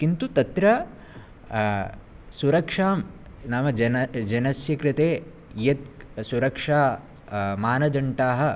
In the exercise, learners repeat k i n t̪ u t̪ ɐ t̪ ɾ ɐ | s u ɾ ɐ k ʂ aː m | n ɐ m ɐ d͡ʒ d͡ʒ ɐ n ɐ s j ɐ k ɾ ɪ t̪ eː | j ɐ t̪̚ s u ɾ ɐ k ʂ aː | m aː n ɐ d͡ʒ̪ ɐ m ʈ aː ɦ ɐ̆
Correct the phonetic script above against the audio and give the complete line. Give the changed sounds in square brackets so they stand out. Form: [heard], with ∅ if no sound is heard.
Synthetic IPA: k i n t̪ u t̪ ɐ t̪ ɾ ɐ | s u ɾ ɐ k ʂ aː m | n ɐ m ɐ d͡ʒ d͡ʒ ɐ n ɐ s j ɐ k ɾ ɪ t̪ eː | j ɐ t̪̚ s u ɾ ɐ k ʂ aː | m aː n ɐ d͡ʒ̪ ɐ [ɳ] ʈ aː ɦ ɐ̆

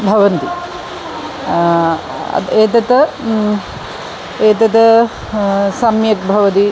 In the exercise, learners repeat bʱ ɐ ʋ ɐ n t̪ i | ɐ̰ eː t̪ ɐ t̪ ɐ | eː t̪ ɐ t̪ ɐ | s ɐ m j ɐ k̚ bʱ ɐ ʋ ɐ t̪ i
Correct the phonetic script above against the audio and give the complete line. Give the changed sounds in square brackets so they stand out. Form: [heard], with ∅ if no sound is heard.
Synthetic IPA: bʱ ɐ ʋ ɐ n t̪ i | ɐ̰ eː t̪ ɐ t̪ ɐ | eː t̪ ɐ t̪ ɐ | s ɐ m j ɐ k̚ bʱ ɐ ʋ ɐ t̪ i

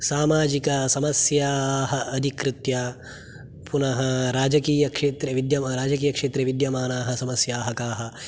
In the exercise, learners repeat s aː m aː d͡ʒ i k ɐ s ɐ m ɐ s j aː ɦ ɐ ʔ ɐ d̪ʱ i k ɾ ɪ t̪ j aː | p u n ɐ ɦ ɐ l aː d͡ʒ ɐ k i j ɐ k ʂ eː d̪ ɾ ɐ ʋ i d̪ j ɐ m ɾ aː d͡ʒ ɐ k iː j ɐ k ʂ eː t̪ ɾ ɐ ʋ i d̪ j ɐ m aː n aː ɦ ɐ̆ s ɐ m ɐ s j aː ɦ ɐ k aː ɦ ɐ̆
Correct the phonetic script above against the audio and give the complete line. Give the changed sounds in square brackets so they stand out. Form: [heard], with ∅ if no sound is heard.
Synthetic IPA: s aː m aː d͡ʒ i k ɐ s ɐ m ɐ s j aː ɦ ɐ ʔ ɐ d̪ʱ i k ɾ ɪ t̪ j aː | p u n ɐ ɦ ɐ [ɾ] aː d͡ʒ ɐ k [iː] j ɐ k ʂ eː [t̪] ɾ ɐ ʋ i d̪ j ɐ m ɾ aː d͡ʒ ɐ k iː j ɐ k ʂ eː t̪ ɾ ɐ ʋ i d̪ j ɐ m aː n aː ɦ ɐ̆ s ɐ m ɐ s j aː ɦ ɐ k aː ɦ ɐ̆

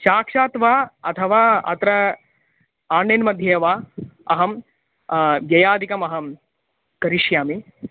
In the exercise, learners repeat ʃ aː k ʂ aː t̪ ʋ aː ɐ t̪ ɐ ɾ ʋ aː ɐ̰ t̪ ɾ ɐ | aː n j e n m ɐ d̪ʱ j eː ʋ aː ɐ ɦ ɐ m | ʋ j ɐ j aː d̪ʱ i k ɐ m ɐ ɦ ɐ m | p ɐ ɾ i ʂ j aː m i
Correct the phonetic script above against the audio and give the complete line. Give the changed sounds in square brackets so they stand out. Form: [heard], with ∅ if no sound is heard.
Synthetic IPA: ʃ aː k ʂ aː t̪ ʋ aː ɐ [t̪ʰ] ɐ [∅] ʋ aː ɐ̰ t̪ ɾ ɐ | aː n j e n m ɐ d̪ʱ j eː ʋ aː ɐ ɦ ɐ m | ʋ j ɐ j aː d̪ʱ i k ɐ m ɐ ɦ ɐ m | [k] ɐ ɾ i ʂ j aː m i

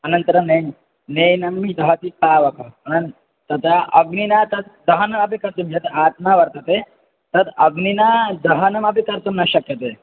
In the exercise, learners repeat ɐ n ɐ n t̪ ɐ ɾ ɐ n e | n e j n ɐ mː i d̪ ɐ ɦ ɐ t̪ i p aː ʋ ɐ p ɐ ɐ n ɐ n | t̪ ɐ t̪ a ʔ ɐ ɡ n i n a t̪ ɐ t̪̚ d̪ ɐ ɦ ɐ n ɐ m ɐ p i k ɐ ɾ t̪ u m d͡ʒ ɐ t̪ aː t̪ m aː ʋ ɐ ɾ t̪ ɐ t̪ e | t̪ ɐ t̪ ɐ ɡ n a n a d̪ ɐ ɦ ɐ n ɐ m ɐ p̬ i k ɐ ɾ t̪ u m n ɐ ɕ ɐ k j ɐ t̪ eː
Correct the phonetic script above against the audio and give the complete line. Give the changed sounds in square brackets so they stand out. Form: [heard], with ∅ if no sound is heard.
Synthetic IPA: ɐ n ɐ n t̪ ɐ ɾ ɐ n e | n e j n ɐ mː i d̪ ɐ ɦ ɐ t̪ i p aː ʋ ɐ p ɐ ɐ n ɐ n | t̪ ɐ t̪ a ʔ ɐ ɡ n i n a t̪ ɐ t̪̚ d̪ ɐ ɦ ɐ n ɐ m ɐ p i k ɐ ɾ t̪ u m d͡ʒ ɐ t̪ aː t̪ m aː ʋ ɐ ɾ t̪ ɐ t̪ e | t̪ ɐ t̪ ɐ ɡ n [i] n a d̪ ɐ ɦ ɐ n ɐ m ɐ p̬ i k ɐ ɾ t̪ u m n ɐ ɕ ɐ k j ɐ t̪ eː

